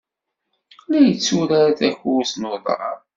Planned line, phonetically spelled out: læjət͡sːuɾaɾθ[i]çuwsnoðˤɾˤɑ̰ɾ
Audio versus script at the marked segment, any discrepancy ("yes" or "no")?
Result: yes